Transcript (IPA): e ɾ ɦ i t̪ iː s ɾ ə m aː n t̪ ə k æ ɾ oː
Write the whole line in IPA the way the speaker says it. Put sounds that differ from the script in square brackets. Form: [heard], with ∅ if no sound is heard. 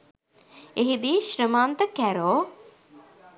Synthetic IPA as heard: e [∅] ɦ i [d̪] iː [ʃ] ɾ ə m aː n t̪ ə k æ ɾ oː